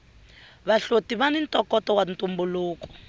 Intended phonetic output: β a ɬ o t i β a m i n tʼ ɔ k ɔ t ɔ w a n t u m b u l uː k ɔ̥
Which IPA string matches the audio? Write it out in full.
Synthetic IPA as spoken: β a ɬ o t i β a n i n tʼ ɔ k ɔ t ɔ w a n t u m b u l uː k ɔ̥

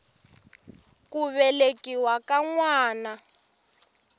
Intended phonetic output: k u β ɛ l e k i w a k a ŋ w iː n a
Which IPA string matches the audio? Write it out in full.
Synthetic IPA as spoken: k u β ɛ l e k i w a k a ŋ w aː n a

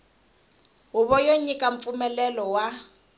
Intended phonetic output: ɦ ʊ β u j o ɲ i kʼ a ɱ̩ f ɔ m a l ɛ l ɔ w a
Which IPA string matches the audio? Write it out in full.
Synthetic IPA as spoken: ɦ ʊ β ɔ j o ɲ i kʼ a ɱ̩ f u m ɛ l ɛ l ɔ w a

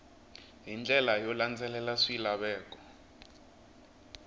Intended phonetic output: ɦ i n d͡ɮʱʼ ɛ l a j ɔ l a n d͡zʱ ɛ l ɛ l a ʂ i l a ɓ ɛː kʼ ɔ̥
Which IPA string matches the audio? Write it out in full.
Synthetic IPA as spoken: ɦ i n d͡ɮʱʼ ɛ l a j ɔ l a n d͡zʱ ɛ l ɛ l a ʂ i l a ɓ ɛː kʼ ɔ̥

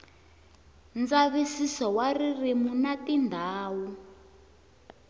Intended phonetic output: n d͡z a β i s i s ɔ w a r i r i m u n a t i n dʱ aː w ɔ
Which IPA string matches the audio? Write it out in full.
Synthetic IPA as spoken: n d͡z a β i s i s ɔ w a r i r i m u n a t i n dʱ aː w u

